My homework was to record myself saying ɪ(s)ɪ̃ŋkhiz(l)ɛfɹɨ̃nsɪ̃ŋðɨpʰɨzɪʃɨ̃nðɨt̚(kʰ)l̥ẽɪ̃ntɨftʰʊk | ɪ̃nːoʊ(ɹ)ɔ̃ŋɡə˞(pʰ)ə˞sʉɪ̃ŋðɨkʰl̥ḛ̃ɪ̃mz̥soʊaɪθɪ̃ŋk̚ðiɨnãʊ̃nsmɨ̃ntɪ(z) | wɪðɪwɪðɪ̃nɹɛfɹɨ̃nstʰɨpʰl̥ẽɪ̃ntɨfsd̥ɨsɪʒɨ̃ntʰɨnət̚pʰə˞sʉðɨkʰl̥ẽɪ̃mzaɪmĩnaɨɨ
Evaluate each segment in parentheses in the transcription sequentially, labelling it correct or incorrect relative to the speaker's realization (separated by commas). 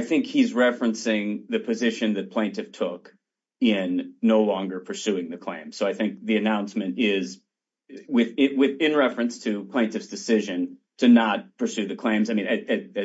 incorrect, incorrect, incorrect, incorrect, correct, correct